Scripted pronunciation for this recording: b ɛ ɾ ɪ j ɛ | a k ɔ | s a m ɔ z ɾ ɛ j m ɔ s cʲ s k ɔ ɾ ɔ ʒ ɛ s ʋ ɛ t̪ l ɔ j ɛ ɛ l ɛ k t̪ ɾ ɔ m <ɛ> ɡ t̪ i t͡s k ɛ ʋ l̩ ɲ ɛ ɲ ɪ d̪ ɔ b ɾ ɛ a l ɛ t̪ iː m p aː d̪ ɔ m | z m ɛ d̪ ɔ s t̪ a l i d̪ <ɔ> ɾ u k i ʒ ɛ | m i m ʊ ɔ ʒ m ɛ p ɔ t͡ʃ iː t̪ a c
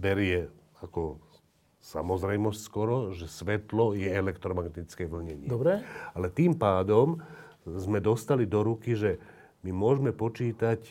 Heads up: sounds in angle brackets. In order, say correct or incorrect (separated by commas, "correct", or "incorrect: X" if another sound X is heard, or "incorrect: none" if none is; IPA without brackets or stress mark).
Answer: incorrect: a, correct